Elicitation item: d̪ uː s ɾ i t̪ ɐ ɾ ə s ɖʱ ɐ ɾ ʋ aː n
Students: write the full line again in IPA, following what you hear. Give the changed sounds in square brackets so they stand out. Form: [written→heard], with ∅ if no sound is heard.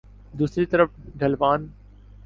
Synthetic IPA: d̪ uː s ɾ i t̪ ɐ ɾ ə [s→f] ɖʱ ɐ [ɾ→l] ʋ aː n